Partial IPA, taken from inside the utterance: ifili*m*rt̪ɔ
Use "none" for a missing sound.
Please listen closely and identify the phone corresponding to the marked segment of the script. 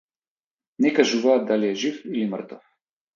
m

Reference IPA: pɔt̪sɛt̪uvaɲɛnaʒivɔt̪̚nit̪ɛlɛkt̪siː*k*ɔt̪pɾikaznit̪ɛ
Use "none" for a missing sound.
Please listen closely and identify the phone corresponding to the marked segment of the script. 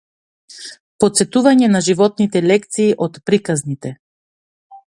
ʔ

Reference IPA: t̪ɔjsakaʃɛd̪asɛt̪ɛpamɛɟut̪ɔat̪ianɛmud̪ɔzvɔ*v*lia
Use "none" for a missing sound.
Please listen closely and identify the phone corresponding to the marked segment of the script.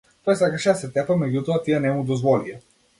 none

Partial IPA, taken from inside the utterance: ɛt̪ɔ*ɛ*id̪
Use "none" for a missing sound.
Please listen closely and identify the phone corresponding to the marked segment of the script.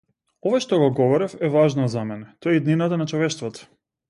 ɛ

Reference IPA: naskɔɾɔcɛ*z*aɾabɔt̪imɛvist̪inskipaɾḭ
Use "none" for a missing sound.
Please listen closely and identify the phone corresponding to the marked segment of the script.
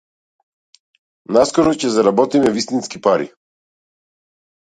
z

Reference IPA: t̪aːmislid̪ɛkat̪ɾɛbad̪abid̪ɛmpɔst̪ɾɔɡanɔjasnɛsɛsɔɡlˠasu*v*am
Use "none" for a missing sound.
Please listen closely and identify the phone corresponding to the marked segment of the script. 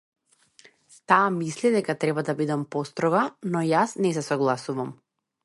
v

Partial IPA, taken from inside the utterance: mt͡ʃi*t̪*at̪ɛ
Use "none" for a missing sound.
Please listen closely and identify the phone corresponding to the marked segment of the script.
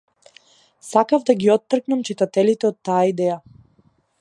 t̪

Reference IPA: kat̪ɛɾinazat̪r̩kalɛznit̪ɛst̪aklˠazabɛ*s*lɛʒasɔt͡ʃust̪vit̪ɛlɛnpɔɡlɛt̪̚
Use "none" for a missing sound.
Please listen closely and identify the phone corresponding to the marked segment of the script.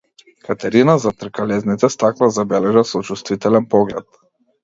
none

